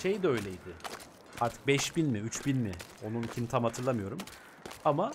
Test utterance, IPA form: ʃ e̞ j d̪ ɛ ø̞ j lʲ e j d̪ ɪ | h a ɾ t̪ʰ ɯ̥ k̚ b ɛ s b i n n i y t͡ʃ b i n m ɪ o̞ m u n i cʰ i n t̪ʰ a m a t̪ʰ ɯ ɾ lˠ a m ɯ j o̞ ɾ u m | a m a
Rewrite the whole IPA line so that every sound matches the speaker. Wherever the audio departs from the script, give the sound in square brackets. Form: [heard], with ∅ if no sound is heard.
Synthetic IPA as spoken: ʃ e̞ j d̪ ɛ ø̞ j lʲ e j d̪ ɪ | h a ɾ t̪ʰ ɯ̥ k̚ b ɛ [ʃ] b i n [m] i y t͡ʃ b i n m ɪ o̞ [n] u n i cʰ i n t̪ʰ a m a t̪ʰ ɯ ɾ lˠ a m ɯ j o̞ ɾ u m | a m a

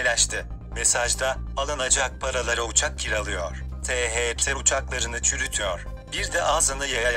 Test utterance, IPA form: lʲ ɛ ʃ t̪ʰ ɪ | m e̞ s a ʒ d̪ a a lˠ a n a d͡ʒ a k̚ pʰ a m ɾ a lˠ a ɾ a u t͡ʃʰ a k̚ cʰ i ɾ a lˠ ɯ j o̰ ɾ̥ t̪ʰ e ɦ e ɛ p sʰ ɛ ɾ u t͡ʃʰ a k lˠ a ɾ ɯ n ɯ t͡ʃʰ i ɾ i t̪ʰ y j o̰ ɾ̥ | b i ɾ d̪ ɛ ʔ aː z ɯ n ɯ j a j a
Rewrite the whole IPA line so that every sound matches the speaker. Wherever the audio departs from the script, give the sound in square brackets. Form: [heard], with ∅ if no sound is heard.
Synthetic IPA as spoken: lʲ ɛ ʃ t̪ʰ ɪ | m e̞ s a ʒ d̪ a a lˠ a n a d͡ʒ a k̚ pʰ a [∅] ɾ a lˠ a ɾ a u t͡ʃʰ a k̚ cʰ i ɾ a lˠ ɯ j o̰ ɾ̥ t̪ʰ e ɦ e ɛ p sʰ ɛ ɾ u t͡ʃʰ a k lˠ a ɾ ɯ n ɯ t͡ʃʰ [y] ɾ [y] t̪ʰ y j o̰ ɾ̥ | b i ɾ d̪ ɛ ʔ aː z ɯ n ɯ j a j a

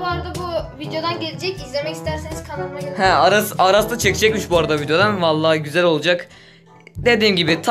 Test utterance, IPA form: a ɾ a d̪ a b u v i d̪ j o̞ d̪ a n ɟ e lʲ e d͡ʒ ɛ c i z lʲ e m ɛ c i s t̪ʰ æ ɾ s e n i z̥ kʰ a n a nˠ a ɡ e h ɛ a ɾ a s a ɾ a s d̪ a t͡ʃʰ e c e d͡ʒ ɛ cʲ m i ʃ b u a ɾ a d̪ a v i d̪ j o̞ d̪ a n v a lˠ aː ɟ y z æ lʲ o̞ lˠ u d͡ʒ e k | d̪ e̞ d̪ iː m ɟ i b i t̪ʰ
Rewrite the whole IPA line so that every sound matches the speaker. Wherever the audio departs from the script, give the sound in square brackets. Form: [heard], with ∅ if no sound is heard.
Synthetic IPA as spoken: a ɾ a d̪ a b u v i d̪ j o̞ d̪ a n ɟ e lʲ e d͡ʒ ɛ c i z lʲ e m ɛ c i s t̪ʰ æ ɾ s e n i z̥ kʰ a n a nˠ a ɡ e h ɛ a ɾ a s a ɾ a s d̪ a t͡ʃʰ e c [i] d͡ʒ ɛ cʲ m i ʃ b u a ɾ a d̪ a v i d̪ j o̞ d̪ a n v a [lˠː] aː ɟ y z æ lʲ o̞ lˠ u d͡ʒ [a] k | d̪ e̞ d̪ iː m ɟ i b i t̪ʰ

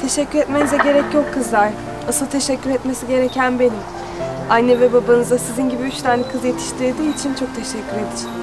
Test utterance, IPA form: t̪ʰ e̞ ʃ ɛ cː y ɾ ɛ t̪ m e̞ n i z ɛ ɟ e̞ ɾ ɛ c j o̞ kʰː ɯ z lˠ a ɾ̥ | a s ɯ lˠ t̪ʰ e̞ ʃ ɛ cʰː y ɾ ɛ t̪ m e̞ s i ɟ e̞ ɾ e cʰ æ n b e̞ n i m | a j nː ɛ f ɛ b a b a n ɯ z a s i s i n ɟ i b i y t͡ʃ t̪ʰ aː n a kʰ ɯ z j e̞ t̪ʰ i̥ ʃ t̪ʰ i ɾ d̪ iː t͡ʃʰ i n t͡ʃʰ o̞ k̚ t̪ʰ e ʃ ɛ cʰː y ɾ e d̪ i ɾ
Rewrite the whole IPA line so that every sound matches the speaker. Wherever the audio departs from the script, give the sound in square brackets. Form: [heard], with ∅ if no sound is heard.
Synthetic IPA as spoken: t̪ʰ e̞ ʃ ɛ cː y ɾ ɛ t̪ m e̞ n i z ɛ ɟ e̞ ɾ ɛ c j o̞ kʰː ɯ z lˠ a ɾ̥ | a s ɯ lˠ t̪ʰ e̞ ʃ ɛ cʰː y ɾ ɛ t̪ m e̞ s i ɟ e̞ ɾ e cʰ æ n b e̞ n i m | a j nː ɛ [v] ɛ b a b a n ɯ z a s i [z] i n ɟ i b i y t͡ʃ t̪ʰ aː n [ɛ] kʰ ɯ z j e̞ t̪ʰ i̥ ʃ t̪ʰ i ɾ d̪ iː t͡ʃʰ i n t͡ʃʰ o̞ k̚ t̪ʰ e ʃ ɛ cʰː y ɾ e d̪ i ɾ

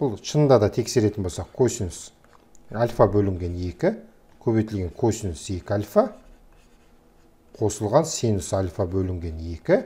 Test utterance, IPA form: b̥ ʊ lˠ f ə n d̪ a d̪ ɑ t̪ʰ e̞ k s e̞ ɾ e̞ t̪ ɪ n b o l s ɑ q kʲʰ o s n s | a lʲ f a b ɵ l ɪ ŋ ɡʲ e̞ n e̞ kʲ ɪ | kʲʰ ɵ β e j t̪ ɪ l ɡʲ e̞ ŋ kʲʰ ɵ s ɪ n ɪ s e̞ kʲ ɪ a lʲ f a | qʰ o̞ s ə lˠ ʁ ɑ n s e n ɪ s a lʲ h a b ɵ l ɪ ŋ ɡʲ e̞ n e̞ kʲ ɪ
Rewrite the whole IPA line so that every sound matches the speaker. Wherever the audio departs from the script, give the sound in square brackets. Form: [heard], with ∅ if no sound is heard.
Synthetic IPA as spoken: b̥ ʊ lˠ [ʃ] ə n d̪ [ɑ] d̪ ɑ t̪ʰ e̞ k s e̞ ɾ e̞ t̪ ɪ n b o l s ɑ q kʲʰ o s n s | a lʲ f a b ɵ l ɪ ŋ ɡʲ e̞ n e̞ kʲ ɪ | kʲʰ ɵ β e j t̪ ɪ l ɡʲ e̞ ŋ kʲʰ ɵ s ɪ n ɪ s e̞ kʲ ɪ a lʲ f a | qʰ o̞ s ə lˠ ʁ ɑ n s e n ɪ s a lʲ [f] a b ɵ l ɪ ŋ ɡʲ e̞ n e̞ kʲ ɪ

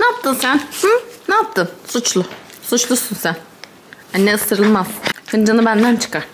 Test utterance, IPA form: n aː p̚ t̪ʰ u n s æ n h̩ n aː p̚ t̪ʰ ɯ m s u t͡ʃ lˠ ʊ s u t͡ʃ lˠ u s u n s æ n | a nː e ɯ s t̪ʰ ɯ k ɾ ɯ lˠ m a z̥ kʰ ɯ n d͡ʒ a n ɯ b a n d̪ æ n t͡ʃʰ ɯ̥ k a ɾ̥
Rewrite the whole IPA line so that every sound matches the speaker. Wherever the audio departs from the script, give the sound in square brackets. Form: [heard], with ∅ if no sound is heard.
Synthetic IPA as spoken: n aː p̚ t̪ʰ [ɯ] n s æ n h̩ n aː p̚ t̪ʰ ɯ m s u t͡ʃ lˠ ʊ s u t͡ʃ lˠ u s u n s æ n | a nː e ɯ s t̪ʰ ɯ [∅] ɾ ɯ lˠ m a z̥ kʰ ɯ n d͡ʒ a n ɯ b [æ] n d̪ æ n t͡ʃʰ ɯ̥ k a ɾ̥

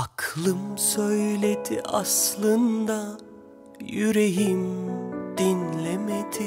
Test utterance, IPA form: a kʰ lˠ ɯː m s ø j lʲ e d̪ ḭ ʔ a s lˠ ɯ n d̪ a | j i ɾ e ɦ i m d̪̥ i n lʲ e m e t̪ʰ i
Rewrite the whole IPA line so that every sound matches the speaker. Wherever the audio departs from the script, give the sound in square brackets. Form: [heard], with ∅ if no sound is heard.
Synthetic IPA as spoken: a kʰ lˠ [ɯ] m s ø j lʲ e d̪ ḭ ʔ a s lˠ ɯ n d̪ a | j [y] ɾ e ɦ i m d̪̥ i n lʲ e m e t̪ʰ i

